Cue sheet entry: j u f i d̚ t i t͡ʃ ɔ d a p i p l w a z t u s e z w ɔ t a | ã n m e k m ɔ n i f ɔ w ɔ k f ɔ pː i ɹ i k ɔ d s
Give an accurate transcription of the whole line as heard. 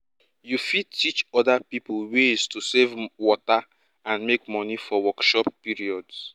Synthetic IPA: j u f i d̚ t i t͡ʃ ɔ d a p i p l w e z t u s e v w ɔ t a | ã n m e k m ɔ n i f ɔ w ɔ k ʃ ɔ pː i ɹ i ɔ d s